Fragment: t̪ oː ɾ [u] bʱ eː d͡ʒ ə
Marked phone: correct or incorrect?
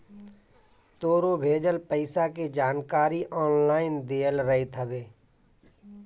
incorrect: o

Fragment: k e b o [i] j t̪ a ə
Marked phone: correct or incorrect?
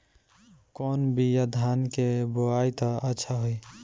incorrect: a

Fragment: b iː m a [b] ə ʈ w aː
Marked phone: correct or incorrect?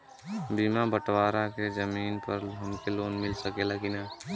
correct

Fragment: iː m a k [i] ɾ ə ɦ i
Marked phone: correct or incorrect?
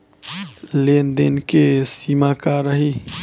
incorrect: a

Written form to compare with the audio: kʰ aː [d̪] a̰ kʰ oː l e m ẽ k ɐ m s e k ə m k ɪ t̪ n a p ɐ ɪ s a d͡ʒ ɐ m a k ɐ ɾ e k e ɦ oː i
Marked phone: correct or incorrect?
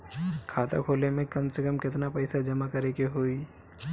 incorrect: t̪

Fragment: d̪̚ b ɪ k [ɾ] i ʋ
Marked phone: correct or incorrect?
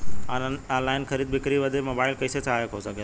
correct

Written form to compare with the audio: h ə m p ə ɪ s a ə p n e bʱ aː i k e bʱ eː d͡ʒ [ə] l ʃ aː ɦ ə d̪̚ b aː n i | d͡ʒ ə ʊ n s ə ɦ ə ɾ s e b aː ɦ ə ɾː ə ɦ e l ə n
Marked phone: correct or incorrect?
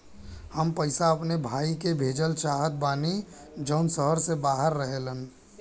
correct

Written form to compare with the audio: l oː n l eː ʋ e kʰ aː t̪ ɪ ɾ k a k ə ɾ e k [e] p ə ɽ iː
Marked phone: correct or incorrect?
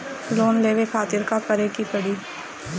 incorrect: i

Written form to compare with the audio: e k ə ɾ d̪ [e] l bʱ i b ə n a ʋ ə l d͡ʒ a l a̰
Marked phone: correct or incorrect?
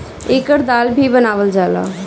incorrect: a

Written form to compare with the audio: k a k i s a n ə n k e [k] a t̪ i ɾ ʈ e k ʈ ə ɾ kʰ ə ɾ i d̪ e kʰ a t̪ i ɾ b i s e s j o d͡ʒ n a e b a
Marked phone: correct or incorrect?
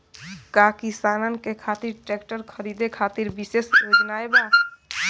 incorrect: kʰ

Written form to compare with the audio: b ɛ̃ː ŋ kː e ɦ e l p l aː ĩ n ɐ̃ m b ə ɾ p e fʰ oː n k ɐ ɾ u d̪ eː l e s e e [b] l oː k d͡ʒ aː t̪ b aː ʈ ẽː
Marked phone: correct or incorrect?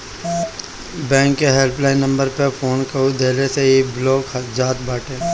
correct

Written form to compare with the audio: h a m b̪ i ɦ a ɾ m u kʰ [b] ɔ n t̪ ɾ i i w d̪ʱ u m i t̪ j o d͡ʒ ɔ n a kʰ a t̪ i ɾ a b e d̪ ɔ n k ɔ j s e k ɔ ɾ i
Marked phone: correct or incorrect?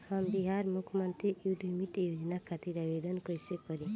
incorrect: m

